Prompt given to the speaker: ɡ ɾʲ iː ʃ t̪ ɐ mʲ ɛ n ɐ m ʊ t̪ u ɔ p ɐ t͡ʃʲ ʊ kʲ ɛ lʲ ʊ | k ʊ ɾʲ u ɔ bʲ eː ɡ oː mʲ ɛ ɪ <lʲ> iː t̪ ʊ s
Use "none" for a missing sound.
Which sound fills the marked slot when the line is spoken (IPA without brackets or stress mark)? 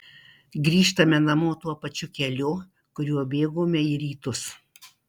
ɾʲ